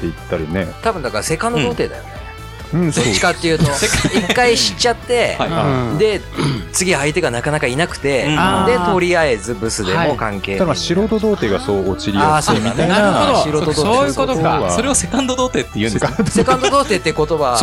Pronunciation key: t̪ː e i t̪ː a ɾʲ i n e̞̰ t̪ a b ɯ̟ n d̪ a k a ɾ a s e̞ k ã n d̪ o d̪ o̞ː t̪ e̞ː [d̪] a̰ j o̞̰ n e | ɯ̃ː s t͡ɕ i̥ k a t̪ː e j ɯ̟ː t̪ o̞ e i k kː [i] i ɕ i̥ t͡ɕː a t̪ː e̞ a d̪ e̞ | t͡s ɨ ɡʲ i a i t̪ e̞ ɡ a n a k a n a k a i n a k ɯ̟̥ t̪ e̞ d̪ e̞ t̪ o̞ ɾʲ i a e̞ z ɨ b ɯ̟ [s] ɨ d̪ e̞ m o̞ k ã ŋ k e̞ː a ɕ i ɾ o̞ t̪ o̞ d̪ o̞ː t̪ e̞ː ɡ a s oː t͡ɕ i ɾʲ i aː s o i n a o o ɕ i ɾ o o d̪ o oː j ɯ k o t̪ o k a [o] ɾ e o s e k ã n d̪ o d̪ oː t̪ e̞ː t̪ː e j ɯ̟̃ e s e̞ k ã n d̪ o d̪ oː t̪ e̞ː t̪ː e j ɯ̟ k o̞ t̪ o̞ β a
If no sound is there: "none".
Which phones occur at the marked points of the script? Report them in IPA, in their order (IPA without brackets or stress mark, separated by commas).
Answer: d̪, a, s, o